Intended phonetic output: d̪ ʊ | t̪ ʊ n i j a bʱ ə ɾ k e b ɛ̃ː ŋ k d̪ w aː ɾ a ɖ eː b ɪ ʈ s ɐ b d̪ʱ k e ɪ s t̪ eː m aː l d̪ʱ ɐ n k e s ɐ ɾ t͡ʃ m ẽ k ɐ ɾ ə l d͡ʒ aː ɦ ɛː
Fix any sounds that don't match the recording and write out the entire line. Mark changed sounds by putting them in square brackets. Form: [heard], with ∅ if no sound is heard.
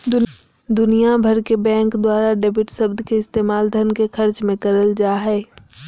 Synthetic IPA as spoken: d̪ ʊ | [d̪] ʊ n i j a bʱ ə ɾ k e b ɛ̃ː ŋ k d̪ w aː ɾ a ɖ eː b ɪ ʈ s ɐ b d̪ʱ k e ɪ s t̪ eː m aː l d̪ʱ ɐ n k e [x] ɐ ɾ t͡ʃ m ẽ k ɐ ɾ ə l d͡ʒ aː ɦ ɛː